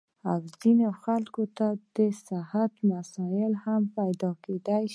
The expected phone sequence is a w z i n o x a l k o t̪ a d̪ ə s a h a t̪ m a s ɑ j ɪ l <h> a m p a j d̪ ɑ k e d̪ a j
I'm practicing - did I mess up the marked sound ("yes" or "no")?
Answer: no